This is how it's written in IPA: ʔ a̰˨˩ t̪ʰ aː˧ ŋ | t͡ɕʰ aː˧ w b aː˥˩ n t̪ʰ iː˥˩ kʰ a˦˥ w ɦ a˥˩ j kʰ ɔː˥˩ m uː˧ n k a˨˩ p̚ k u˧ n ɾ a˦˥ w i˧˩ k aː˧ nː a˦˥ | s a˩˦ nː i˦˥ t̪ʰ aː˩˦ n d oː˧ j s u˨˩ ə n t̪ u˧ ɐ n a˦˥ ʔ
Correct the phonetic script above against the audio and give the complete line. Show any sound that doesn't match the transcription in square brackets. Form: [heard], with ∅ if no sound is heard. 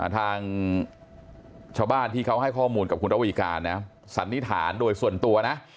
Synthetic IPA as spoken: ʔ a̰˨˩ t̪ʰ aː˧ ŋ | t͡ɕʰ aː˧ w b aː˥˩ n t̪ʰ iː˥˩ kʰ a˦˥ w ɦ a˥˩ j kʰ ɔː˥˩ m uː˧ n k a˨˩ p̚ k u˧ n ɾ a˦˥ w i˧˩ k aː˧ nː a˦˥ | s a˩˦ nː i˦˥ t̪ʰ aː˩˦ n d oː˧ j s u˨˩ ə n t̪ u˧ ɐ n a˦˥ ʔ